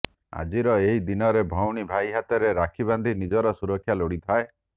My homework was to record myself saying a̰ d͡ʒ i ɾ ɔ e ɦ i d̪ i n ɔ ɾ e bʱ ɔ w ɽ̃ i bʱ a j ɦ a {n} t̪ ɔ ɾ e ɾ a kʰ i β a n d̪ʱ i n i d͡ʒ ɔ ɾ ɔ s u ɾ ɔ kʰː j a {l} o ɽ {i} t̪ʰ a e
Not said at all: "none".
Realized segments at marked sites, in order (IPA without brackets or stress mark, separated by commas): none, l, i